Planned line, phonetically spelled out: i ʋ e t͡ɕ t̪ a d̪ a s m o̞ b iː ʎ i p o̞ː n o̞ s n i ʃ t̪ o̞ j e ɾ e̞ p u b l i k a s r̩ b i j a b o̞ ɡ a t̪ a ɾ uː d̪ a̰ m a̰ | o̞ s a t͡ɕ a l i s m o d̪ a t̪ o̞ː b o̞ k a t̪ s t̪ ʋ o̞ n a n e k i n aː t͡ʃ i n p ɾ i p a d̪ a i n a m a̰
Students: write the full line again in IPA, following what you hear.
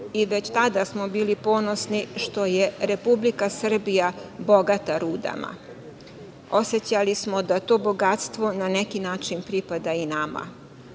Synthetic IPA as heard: i ʋ e t͡ɕ t̪ a d̪ a s m o̞ b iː l i p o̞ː n o̞ s n i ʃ t̪ o̞ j e ɾ e̞ p u b l i k a s r̩ b i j a b o̞ ɡ a t̪ a ɾ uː d̪ a̰ m a̰ | o̞ s e t͡ɕ a l i s m o d̪ a t̪ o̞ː b o̞ ɡ a t̪ s t̪ ʋ o̞ n a n e k i n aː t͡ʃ i n p ɾ i p a d̪ a i n a m a̰